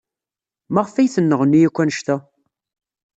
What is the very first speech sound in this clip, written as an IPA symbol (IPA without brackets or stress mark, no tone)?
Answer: m